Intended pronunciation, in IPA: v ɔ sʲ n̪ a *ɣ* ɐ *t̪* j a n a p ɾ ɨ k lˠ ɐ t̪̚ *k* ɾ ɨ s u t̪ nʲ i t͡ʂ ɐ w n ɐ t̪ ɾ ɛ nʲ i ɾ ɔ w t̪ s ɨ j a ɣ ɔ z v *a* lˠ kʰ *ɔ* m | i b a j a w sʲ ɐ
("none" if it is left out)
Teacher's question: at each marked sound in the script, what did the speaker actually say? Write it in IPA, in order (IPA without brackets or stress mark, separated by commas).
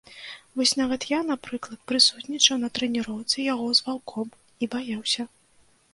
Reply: v, t̪, p, a, ɔ